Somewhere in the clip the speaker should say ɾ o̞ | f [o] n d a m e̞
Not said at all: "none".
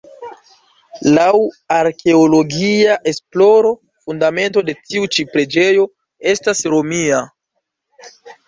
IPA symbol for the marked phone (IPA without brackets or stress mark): u